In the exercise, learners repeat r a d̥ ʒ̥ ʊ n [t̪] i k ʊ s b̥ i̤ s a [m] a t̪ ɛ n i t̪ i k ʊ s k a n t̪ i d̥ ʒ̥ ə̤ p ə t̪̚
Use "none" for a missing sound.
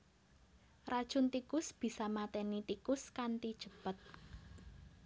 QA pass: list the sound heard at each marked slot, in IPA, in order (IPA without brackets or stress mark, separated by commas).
t̪, m